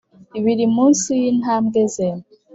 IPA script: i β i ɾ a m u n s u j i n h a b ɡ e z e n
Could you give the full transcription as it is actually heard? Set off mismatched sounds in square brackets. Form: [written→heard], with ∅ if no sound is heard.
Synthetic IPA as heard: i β i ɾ [a→i] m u n s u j i n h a [b→m] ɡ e z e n